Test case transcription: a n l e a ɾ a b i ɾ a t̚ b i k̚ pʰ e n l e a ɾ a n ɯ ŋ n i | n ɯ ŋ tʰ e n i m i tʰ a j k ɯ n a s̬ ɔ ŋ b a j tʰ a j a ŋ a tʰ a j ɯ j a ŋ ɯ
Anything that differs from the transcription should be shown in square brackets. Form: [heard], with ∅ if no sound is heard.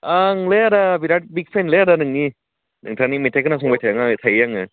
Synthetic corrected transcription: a [ŋ] l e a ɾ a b i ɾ a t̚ b i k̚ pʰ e n l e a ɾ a n ɯ ŋ n i | n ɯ ŋ tʰ [a] n i m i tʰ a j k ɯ n a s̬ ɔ ŋ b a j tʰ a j a ŋ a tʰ a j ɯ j a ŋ ɯ

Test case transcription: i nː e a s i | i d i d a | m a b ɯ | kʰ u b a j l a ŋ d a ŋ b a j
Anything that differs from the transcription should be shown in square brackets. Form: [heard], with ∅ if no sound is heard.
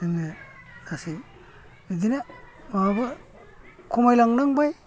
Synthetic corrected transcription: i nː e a s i | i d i [n] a | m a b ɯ | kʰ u [m] a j l a ŋ [n] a ŋ b a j

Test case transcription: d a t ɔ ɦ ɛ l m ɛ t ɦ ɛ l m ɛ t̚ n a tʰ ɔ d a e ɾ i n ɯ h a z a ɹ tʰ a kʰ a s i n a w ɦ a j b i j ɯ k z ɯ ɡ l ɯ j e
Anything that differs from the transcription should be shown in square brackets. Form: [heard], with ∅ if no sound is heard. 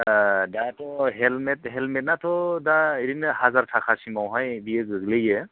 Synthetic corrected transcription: d a t ɔ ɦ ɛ l m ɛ t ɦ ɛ l m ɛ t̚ n a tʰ ɔ d a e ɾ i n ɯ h a z a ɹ tʰ a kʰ a s i [m] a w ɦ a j b i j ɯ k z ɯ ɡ l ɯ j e

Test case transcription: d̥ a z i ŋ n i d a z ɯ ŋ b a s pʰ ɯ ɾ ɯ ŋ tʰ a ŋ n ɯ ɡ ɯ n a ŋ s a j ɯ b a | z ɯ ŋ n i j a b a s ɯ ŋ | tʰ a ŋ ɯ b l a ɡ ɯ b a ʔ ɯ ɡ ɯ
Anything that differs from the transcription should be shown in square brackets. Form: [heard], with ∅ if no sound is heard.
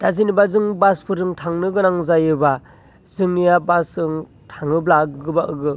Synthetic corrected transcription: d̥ a z i [∅] n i [b] a z ɯ ŋ b a s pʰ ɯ ɾ ɯ ŋ tʰ a ŋ n ɯ ɡ ɯ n a ŋ [z] a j ɯ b a | z ɯ ŋ n i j a b a s ɯ ŋ | tʰ a ŋ ɯ b l a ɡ ɯ b a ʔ ɯ ɡ ɯ

